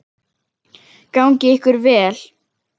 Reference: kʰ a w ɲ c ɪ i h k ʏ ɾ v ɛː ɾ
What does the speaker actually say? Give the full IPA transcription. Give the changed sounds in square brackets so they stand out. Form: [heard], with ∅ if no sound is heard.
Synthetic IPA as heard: [k] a w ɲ c ɪ [ɪ] h k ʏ ɾ v ɛː [l]